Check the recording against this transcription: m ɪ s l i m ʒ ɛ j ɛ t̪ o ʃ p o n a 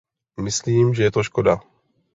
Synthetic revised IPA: m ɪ s l iː m ʒ ɛ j ɛ t̪ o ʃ k o d a